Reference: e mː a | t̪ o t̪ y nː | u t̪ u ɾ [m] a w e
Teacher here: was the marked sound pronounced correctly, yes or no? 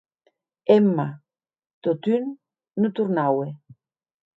no